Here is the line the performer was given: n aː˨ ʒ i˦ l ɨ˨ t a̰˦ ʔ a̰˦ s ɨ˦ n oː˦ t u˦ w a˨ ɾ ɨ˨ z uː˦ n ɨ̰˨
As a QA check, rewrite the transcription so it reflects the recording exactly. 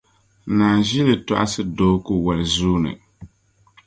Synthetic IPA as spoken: n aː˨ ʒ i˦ l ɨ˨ t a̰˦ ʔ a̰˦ s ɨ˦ d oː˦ k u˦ w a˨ l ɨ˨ z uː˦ n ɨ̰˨